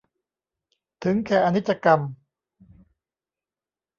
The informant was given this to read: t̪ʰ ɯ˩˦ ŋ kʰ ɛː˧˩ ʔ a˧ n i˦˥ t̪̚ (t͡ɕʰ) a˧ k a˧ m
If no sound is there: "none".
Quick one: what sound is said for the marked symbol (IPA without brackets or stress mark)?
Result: t͡ɕ